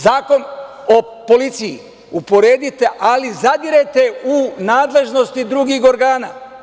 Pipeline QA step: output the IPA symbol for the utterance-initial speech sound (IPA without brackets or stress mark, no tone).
z